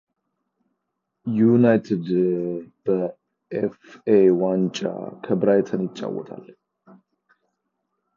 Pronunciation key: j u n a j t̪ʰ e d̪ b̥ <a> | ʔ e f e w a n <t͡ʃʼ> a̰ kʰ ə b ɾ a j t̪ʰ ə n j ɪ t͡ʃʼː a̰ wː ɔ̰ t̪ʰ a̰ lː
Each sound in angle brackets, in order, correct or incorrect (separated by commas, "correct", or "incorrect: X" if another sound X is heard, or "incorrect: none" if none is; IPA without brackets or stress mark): incorrect: ə, correct